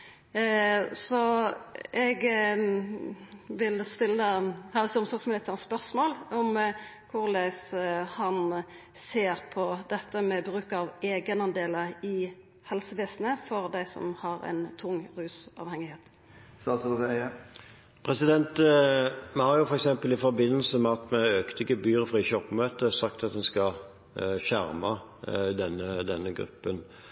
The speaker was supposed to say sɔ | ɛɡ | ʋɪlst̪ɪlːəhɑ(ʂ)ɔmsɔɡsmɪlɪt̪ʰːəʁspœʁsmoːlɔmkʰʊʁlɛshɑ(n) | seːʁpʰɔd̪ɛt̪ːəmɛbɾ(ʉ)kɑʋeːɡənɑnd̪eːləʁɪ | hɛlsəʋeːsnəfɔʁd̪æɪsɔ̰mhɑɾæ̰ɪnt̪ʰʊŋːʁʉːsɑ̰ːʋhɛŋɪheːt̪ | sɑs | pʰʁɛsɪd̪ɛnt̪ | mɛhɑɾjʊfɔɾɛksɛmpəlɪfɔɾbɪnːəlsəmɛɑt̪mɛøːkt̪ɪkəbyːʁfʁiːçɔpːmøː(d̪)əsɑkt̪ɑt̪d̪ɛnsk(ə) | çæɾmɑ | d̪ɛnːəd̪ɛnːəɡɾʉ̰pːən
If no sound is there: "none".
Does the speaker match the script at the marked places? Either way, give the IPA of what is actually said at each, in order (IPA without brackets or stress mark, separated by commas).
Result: s, n, ʉː, t̪, ɑ